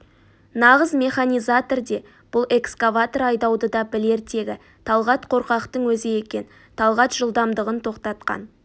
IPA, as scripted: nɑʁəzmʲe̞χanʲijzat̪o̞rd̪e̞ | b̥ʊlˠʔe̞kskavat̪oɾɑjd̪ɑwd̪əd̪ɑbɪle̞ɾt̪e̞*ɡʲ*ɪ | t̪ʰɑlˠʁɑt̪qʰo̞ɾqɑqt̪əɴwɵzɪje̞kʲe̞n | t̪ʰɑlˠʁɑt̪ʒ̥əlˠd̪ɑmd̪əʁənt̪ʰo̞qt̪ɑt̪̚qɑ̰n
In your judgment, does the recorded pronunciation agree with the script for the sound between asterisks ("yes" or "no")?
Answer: yes